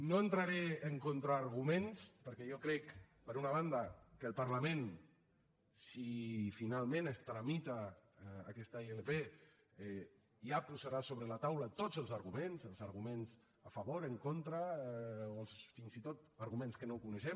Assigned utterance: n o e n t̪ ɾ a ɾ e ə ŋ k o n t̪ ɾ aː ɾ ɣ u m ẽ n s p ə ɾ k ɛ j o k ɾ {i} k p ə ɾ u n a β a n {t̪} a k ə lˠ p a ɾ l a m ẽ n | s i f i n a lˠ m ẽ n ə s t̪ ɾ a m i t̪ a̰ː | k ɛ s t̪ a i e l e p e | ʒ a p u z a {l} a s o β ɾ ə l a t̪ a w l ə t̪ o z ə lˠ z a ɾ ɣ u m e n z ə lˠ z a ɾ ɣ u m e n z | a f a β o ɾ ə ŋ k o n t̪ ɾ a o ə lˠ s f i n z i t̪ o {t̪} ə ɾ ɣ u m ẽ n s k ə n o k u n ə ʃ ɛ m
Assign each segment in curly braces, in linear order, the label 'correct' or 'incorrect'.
incorrect: ɛ, incorrect: d̪, incorrect: ɾ, correct

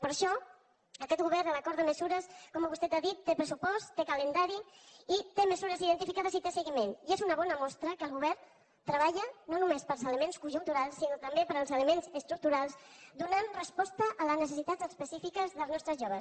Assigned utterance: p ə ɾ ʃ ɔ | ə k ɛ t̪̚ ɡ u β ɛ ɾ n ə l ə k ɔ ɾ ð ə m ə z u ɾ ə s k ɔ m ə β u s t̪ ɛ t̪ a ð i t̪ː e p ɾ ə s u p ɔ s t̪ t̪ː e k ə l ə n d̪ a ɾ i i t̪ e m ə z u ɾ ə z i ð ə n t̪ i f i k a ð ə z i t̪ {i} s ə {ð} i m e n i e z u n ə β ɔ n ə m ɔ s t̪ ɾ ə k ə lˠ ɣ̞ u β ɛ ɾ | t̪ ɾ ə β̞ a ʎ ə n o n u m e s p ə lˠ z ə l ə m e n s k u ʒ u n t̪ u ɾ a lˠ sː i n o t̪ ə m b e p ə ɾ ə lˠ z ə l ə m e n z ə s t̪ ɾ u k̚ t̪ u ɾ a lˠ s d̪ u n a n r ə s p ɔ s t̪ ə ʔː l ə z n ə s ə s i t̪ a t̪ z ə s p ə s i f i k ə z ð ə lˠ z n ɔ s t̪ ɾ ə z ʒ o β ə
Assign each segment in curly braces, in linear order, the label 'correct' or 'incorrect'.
incorrect: e, incorrect: ɣ

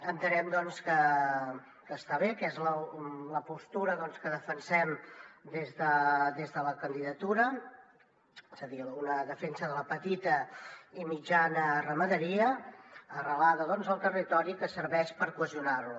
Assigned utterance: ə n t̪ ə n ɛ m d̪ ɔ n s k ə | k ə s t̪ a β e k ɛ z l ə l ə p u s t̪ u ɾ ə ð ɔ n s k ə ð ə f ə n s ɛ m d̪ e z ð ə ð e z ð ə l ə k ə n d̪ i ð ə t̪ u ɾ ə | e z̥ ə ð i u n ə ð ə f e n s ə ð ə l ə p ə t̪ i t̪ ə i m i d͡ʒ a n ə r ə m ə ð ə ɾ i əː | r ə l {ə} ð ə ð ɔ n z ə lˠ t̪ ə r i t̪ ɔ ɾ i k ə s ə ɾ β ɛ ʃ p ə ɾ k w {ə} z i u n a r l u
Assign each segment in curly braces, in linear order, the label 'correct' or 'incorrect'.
incorrect: a, correct

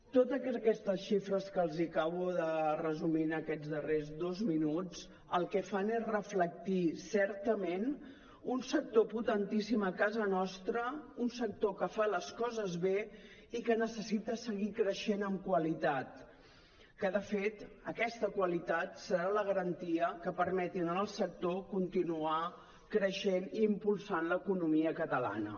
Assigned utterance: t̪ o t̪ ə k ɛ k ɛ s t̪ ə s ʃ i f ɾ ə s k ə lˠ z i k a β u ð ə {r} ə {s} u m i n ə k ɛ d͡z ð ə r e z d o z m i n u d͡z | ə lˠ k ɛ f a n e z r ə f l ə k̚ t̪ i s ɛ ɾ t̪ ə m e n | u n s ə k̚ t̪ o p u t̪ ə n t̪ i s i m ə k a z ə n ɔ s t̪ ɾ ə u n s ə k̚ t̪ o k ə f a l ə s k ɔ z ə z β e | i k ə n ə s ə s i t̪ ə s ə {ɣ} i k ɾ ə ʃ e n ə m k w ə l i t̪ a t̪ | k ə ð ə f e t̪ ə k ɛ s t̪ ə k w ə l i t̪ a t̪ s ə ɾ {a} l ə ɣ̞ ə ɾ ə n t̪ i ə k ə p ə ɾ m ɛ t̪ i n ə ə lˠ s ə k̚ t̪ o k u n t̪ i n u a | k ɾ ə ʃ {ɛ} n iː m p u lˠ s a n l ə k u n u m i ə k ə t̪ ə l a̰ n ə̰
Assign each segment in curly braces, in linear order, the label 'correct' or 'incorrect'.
correct, incorrect: z, correct, correct, incorrect: e

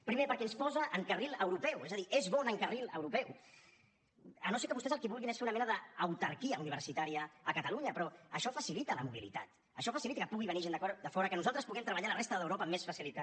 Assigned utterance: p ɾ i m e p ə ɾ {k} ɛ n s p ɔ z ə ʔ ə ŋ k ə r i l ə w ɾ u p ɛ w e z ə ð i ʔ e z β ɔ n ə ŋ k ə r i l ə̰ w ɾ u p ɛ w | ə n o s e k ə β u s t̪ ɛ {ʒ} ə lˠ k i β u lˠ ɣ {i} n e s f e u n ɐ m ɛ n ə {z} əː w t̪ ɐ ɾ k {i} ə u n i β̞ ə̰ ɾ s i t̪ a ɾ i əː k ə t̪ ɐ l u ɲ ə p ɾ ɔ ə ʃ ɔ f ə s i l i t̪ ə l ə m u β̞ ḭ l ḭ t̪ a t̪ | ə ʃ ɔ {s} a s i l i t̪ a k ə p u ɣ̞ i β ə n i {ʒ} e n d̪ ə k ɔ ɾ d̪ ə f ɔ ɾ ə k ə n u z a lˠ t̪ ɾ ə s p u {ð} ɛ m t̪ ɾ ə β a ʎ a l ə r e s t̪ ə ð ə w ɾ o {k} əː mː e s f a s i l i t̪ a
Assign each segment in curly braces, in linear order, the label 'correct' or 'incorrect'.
correct, incorrect: z, correct, incorrect: ð, correct, incorrect: f, correct, incorrect: ɣ, incorrect: p

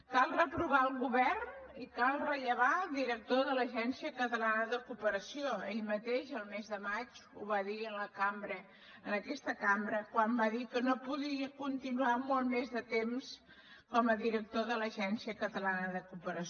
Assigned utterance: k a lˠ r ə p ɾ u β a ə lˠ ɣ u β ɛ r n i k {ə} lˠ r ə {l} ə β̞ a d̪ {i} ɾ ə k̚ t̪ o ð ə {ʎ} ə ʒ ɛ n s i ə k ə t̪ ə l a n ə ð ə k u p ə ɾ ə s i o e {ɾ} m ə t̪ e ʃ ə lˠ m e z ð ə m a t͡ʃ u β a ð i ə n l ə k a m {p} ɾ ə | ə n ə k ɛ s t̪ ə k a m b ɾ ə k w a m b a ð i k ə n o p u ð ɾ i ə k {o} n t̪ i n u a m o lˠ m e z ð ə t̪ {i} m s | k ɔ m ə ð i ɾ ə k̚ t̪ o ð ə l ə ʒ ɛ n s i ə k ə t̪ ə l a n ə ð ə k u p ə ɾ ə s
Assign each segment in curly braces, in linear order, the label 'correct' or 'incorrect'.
incorrect: a, incorrect: ʎ, correct, incorrect: l, incorrect: ʎ, incorrect: b, incorrect: u, incorrect: e

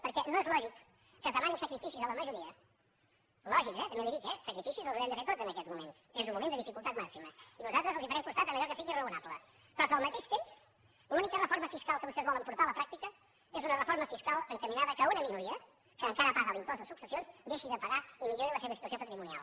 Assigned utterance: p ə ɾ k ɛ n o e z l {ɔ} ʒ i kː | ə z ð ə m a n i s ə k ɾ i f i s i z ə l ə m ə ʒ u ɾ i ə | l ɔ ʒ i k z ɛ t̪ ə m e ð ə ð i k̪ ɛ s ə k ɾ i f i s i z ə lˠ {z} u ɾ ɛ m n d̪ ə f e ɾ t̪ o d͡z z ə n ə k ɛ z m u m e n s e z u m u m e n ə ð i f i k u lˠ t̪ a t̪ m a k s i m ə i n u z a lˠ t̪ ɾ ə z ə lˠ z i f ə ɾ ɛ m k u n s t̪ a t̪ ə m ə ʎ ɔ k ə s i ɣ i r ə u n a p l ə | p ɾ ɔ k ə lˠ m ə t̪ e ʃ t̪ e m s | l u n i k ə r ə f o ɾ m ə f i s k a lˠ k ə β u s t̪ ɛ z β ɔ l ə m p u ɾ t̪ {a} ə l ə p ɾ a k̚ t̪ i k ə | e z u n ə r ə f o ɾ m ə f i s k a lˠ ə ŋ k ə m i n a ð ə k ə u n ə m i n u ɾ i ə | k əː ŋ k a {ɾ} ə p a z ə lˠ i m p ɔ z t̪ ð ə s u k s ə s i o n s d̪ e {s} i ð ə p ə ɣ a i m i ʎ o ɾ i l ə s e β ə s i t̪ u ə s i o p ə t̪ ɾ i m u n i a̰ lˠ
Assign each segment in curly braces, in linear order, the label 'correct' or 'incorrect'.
correct, correct, correct, correct, incorrect: ʃ

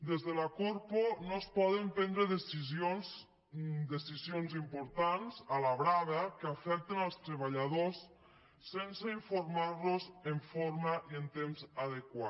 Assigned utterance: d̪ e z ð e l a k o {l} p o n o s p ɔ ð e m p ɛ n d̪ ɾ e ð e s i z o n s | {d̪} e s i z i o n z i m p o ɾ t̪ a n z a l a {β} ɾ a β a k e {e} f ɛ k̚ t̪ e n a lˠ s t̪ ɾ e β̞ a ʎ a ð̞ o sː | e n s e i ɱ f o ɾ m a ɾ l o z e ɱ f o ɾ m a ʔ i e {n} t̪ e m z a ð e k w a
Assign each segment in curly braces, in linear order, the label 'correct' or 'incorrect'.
incorrect: ɾ, correct, correct, incorrect: a, correct

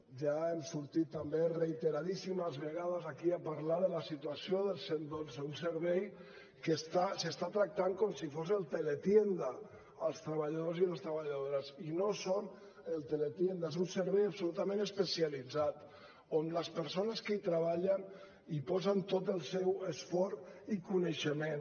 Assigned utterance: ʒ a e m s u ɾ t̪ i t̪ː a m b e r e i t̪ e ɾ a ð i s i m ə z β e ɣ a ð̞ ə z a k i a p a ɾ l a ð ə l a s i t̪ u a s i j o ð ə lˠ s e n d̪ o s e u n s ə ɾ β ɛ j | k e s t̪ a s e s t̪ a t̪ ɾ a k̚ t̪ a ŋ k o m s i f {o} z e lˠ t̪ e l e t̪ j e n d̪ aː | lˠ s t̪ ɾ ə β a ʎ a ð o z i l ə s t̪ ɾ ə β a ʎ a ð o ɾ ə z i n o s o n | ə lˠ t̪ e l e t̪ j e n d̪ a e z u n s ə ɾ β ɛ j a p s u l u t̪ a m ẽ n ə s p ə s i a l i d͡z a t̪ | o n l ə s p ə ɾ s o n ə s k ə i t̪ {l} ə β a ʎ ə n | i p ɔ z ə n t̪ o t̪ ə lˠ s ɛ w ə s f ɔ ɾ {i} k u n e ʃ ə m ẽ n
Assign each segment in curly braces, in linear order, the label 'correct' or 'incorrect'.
correct, incorrect: ɾ, correct

